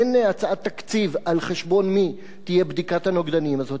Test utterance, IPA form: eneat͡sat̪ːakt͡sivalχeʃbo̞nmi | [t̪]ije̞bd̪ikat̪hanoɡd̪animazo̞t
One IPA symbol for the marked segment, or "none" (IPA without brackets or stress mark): t̪